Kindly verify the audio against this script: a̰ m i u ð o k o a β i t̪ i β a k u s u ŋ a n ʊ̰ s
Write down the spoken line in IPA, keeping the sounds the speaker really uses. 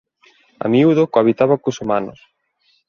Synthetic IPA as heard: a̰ m i u ð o k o a β i t̪ a β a k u s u m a n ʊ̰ s